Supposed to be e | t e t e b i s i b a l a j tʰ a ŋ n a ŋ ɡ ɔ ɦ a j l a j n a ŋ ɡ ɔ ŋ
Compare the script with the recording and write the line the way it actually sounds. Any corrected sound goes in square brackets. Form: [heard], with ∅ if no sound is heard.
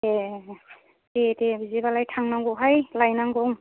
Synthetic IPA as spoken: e | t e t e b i [z] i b a l a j tʰ a ŋ n a ŋ ɡ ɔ ɦ a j l a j n a ŋ ɡ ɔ ŋ